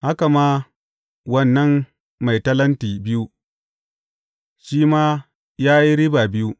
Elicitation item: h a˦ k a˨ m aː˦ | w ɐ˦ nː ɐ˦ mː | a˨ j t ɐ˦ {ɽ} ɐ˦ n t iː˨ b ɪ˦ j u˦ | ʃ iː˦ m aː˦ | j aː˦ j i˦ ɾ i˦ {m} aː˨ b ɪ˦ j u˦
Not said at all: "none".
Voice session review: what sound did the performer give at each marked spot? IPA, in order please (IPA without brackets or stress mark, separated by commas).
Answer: l, b